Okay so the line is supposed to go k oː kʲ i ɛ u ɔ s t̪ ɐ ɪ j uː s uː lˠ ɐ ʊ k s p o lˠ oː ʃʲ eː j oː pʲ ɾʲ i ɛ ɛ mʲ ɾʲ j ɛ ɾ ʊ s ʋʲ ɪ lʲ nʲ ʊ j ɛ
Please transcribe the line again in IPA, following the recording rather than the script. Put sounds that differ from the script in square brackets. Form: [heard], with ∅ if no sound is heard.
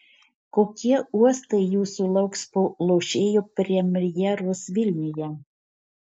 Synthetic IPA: k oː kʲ i ɛ u ɔ s t̪ ɐ ɪ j uː s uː lˠ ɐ ʊ k s p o lˠ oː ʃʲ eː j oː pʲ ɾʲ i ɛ ɛ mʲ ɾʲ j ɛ ɾ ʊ s ʋʲ ɪ lʲ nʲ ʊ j ɛ

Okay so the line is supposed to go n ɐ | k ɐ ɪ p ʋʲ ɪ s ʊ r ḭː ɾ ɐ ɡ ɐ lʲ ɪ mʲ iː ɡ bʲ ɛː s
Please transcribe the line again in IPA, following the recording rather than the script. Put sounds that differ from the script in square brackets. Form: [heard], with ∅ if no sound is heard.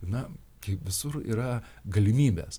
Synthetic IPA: n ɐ | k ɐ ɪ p ʋʲ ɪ s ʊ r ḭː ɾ ɐ ɡ ɐ lʲ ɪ mʲ iː [∅] bʲ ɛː s

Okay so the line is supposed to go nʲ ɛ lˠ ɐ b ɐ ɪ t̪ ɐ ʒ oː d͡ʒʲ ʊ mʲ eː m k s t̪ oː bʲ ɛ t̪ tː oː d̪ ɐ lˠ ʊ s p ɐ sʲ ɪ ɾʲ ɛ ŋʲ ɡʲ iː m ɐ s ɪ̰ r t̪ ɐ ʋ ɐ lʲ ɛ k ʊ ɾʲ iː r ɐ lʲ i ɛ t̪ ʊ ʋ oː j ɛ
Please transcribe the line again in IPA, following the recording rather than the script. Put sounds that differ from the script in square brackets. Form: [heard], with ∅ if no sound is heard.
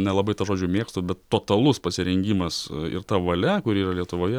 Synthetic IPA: nʲ ɛ lˠ ɐ b ɐ ɪ t̪ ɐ ʒ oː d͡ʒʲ ʊ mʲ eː [∅] k s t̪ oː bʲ ɛ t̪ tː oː [t̪] ɐ lˠ ʊ s p ɐ sʲ ɪ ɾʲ ɛ ŋʲ ɡʲ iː m ɐ s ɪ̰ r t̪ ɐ ʋ ɐ lʲ ɛ k ʊ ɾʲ iː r ɐ lʲ i ɛ t̪ ʊ ʋ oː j ɛ

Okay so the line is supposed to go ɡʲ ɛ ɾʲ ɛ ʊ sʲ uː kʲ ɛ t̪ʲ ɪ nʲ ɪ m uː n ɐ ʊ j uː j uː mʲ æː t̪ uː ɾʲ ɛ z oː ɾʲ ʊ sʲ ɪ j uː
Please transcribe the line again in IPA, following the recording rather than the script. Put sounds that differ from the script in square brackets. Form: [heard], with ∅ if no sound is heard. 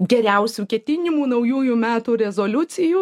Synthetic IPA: ɡʲ ɛ ɾʲ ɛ ʊ sʲ uː kʲ ɛ t̪ʲ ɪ nʲ ɪ m uː n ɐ ʊ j uː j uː mʲ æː t̪ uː ɾʲ ɛ z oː [lʲ] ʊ sʲ ɪ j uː

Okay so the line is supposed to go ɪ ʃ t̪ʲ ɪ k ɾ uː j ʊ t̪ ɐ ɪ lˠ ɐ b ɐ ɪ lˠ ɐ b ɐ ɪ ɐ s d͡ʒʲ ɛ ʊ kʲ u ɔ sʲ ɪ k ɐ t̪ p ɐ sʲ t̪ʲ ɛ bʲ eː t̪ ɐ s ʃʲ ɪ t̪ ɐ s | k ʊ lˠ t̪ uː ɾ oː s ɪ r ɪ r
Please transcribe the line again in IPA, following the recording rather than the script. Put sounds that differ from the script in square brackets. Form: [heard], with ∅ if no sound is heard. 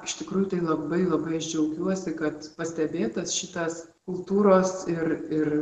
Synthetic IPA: ɪ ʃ t̪ʲ ɪ k ɾ uː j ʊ t̪ ɐ ɪ lˠ ɐ b ɐ ɪ lˠ ɐ b ɐ ɪ ɐ [ʃ] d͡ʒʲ ɛ ʊ kʲ u ɔ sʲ ɪ k ɐ t̪ p ɐ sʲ t̪ʲ ɛ bʲ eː t̪ ɐ s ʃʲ ɪ t̪ ɐ s | k ʊ lˠ t̪ uː ɾ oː s ɪ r ɪ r

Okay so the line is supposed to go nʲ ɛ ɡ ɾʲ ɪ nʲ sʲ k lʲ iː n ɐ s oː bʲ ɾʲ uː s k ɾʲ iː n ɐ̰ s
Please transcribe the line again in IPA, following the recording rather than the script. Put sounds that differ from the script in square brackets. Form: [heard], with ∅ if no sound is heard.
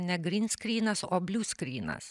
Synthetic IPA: nʲ ɛ ɡ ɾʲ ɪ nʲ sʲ k [ɾʲ] iː n ɐ s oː bʲ [lʲ] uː s k ɾʲ iː n ɐ̰ s

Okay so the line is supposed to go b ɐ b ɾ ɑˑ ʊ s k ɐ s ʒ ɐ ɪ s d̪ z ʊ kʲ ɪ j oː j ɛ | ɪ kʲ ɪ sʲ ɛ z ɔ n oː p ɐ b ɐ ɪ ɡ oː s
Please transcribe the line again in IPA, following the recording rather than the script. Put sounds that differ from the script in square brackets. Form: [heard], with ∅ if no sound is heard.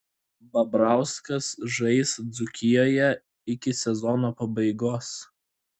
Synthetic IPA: b ɐ b ɾ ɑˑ ʊ s k ɐ s ʒ ɐ ɪ s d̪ z ʊ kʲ ɪ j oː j ɛ | ɪ kʲ ɪ sʲ ɛ z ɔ n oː p ɐ b ɐ ɪ ɡ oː s

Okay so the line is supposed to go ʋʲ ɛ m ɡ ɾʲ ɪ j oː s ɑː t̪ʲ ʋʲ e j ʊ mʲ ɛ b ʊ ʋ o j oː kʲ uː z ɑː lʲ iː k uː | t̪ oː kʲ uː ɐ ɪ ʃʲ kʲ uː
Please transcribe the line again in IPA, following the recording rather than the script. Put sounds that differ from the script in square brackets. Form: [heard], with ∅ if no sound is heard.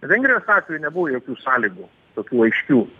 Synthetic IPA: ʋʲ ɛ [ŋ] ɡ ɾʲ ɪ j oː s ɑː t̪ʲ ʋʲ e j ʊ [nʲ] ɛ b ʊ ʋ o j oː kʲ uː [s] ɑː lʲ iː [ɡ] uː | t̪ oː kʲ uː ɐ ɪ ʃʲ kʲ uː

